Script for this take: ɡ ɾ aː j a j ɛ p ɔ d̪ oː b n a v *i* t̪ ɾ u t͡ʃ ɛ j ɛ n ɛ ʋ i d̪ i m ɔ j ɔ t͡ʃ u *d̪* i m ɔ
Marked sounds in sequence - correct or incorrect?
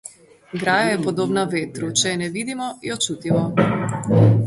incorrect: e, incorrect: t̪

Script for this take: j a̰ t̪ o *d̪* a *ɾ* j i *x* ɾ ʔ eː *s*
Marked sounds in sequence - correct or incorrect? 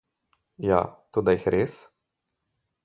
correct, incorrect: none, correct, correct

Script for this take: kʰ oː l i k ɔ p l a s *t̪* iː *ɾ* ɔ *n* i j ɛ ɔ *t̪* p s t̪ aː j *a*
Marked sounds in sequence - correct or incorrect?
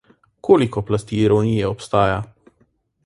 correct, correct, correct, incorrect: none, correct

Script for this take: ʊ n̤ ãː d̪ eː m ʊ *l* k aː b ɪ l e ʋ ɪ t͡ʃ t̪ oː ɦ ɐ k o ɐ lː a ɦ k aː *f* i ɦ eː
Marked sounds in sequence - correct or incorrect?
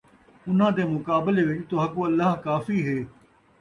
incorrect: none, correct

